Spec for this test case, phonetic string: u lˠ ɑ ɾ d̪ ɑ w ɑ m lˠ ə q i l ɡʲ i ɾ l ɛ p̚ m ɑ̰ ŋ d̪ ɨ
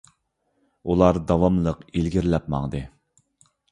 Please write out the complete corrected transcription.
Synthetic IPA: u lˠ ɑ ɾ d̪ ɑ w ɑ m lˠ ə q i l ɡʲ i ɾ l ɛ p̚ m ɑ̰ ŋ d̪ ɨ